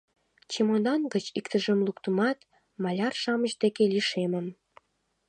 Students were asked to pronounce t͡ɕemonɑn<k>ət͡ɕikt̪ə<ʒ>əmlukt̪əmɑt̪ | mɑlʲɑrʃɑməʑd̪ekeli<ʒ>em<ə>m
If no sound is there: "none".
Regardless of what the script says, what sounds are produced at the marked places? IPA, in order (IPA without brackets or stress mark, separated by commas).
ɡ, ʒ, ʃ, ə